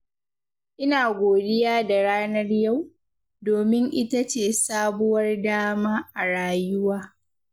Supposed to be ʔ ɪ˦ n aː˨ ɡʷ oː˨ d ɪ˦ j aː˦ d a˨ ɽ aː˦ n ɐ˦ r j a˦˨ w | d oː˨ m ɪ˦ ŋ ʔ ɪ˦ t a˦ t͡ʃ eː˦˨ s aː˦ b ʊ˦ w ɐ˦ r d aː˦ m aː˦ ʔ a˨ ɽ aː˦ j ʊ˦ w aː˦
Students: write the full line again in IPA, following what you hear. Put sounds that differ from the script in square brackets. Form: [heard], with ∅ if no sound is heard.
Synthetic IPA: ʔ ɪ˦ n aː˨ ɡʷ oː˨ d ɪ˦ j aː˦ d a˨ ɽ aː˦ n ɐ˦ r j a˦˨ w | d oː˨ m ɪ˦ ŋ ʔ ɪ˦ t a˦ t͡ʃ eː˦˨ s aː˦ b ʊ˦ w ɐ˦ r d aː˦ m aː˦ ʔ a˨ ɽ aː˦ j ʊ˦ w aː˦